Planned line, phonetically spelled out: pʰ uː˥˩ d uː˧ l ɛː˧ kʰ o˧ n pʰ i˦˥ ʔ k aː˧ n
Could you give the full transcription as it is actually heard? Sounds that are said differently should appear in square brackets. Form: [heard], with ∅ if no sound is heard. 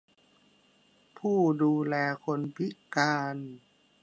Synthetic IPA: pʰ uː˥˩ d uː˧ l ɛː˧ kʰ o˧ n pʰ i˦˥ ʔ k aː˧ n